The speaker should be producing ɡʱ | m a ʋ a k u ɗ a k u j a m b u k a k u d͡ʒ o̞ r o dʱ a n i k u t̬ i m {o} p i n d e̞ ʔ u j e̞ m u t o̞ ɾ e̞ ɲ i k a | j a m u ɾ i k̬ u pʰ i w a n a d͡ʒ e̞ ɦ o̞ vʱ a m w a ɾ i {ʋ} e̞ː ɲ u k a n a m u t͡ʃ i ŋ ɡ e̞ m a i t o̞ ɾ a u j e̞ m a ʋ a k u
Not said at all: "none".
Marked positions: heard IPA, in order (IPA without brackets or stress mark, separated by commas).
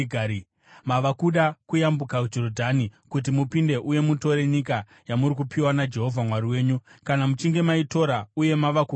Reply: u, w